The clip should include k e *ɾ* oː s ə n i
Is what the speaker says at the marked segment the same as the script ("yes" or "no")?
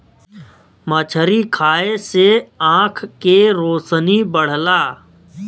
yes